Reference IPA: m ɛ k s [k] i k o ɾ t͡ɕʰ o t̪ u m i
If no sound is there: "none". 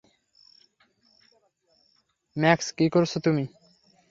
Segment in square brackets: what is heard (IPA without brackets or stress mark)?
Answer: k